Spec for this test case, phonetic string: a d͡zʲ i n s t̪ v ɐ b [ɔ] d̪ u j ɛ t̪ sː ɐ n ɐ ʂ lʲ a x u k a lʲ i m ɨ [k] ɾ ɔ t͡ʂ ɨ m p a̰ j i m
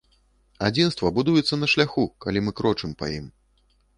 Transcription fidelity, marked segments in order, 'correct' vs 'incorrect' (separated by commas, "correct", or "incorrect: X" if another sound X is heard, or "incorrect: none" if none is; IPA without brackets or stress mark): incorrect: u, correct